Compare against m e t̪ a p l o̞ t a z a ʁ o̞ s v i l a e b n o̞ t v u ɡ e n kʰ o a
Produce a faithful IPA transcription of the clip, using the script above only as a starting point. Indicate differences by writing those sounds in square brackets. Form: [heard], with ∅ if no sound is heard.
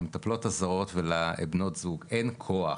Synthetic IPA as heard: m e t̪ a p l o̞ t a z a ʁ o̞ [t] v [e] l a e b n o̞ t [z] u ɡ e n kʰ o a